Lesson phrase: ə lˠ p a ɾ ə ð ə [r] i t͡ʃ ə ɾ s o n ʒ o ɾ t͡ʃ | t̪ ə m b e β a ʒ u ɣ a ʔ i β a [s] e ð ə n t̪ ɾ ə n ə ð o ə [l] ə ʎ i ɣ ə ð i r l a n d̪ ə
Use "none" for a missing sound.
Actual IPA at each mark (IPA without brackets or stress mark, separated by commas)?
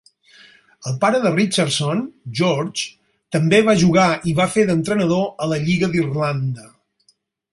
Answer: r, f, l